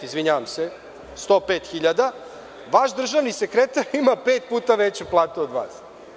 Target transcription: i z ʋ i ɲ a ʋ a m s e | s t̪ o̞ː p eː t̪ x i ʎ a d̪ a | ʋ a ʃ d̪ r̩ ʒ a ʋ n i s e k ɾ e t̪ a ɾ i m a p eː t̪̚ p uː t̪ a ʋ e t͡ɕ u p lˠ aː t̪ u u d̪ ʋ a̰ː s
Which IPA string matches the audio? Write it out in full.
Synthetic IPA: i z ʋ i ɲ a ʋ a m s e | s t̪ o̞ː p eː t̪ x i ʎ a d̪ a | ʋ a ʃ d̪ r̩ ʒ a ʋ n i s e k ɾ e t̪ a ɾ i m a p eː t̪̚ p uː t̪ a ʋ e t͡ɕ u p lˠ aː t̪ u o d̪ ʋ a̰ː s